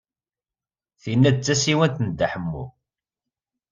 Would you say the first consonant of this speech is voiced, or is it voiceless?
voiceless